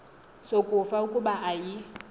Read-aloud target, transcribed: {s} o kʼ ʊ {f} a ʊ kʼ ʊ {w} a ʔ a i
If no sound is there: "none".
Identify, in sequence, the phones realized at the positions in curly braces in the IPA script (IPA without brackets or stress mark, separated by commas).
s, f, b